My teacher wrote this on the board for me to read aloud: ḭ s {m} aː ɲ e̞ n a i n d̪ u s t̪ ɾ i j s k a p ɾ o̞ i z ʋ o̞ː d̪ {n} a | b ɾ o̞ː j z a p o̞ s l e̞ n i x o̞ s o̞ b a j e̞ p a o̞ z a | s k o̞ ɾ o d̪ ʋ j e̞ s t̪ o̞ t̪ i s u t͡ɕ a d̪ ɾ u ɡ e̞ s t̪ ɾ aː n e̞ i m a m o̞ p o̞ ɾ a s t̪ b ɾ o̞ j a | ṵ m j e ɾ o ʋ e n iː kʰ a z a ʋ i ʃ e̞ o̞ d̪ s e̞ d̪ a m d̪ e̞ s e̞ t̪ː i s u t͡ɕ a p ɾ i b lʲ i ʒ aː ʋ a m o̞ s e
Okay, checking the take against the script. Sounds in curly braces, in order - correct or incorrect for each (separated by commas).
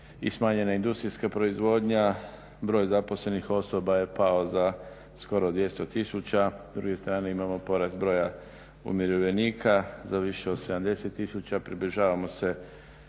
correct, incorrect